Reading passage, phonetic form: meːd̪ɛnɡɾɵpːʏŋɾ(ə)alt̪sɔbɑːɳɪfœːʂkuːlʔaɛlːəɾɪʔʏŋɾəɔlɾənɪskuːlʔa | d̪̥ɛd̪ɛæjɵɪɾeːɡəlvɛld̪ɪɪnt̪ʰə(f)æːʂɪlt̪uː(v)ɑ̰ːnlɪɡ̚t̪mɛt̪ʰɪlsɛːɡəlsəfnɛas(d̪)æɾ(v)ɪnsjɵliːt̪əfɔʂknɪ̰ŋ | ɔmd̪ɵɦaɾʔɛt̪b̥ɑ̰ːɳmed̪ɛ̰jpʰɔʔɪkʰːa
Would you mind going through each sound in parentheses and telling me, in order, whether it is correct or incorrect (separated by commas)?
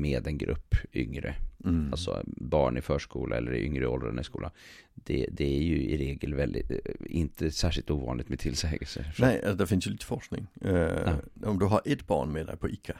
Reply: correct, incorrect, correct, correct, incorrect